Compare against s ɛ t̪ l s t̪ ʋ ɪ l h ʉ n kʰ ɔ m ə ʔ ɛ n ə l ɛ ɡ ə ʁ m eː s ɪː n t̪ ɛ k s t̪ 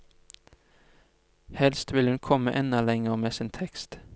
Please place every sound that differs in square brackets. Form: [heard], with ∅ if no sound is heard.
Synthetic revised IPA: [h] ɛ [∅] l s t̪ ʋ ɪ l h ʉ n kʰ ɔ m ə ʔ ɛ n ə l ɛ [ŋ] ə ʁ m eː s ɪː n [t̪ʰ] ɛ k s t̪

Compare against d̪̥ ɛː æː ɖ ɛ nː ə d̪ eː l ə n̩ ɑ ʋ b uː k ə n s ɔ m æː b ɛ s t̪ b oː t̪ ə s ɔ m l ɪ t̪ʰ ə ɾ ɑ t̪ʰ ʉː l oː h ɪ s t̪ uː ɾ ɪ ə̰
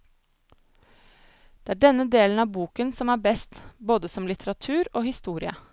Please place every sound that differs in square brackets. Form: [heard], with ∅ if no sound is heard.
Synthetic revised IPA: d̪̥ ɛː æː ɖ ɛ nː ə d̪ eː l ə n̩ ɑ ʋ b uː k ə n s ɔ m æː b ɛ s t̪ b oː [d̪] ə s ɔ m l ɪ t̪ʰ ə ɾ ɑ t̪ʰ ʉː [ɾ] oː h ɪ s t̪ uː ɾ ɪ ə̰

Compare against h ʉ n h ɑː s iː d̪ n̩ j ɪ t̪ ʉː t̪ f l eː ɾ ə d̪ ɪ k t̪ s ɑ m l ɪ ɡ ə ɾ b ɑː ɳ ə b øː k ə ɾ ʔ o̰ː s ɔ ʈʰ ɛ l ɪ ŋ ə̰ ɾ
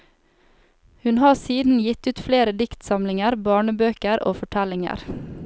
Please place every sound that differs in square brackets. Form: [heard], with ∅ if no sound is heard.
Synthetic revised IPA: h ʉ n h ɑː s iː d̪ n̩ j ɪ t̪ ʉː t̪ f l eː ɾ ə d̪ ɪ k t̪ s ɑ m l ɪ [ŋ] ə ɾ b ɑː ɳ ə b øː k ə ɾ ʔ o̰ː [f] ɔ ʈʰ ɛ l ɪ ŋ ə̰ ɾ

